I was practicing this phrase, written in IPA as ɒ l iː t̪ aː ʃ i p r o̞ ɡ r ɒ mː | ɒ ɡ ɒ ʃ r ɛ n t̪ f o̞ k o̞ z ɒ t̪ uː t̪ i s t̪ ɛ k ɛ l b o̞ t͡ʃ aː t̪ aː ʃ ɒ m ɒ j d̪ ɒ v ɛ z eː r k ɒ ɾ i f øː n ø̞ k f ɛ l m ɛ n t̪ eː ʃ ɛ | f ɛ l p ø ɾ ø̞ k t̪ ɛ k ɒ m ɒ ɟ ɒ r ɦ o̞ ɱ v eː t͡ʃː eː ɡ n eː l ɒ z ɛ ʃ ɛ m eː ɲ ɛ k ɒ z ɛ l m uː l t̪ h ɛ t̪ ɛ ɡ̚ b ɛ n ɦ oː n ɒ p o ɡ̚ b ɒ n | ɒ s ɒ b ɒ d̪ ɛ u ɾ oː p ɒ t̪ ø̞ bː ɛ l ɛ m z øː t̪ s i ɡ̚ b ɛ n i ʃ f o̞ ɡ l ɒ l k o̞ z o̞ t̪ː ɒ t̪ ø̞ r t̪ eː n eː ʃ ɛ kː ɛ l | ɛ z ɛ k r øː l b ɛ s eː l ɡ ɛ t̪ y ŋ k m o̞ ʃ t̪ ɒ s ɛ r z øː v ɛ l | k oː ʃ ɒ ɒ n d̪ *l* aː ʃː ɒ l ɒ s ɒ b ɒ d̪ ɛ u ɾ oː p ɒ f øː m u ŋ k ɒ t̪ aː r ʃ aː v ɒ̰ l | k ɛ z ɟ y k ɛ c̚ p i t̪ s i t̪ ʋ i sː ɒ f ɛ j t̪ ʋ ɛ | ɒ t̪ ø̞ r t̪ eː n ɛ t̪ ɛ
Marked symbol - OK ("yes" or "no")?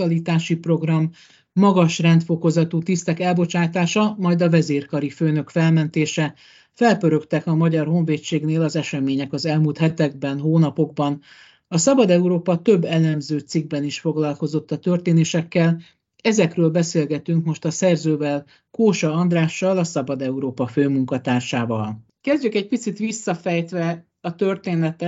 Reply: no